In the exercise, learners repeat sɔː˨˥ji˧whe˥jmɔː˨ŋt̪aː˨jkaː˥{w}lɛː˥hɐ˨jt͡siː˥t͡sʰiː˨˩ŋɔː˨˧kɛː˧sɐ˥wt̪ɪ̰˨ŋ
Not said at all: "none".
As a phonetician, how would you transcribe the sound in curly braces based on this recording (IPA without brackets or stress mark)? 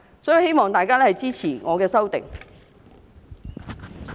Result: none